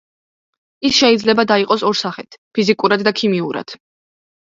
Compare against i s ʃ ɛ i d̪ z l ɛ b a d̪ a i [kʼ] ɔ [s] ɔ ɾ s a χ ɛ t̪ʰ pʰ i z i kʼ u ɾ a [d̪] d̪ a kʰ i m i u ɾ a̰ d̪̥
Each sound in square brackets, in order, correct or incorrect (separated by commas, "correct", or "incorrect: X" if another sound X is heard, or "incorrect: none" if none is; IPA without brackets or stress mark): incorrect: qʼ, correct, correct